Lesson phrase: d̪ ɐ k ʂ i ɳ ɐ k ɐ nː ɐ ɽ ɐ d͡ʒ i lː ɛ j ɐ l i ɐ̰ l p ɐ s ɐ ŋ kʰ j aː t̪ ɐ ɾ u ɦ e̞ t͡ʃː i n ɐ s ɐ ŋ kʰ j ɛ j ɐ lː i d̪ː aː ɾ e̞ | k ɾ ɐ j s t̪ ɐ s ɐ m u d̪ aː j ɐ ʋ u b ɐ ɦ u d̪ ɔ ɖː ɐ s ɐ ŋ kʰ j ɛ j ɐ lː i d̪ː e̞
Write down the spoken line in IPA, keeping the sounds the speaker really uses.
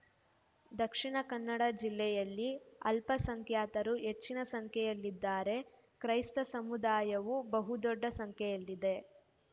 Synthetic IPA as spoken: d̪ ɐ k ʂ i ɳ ɐ k ɐ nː ɐ ɽ ɐ d͡ʒ i lː ɛ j ɐ lː i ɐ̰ l p ɐ s ɐ ŋ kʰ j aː t̪ ɐ ɾ u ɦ e̞ t͡ʃː i n ɐ s ɐ ŋ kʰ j ɛ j ɐ lː i d̪ː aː ɾ e̞ | k ɾ ɐ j s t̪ ɐ s ɐ m u d̪ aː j ɐ ʋ u b ɐ ɦ u d̪ ɔ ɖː ɐ s ɐ ŋ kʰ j ɛ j ɐ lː i d̪ e̞